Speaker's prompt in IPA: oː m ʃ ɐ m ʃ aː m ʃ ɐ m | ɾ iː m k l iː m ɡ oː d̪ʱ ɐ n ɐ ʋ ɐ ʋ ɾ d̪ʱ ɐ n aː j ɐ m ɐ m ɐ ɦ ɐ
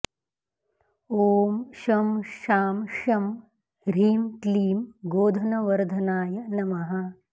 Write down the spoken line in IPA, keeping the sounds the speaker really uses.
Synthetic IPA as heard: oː m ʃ ɐ m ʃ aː m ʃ ɐ m | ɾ iː m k l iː m ɡ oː d̪ʱ ɐ n ɐ ʋ ɐ ɾ d̪ʱ ɐ n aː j ɐ n ɐ m ɐ ɦ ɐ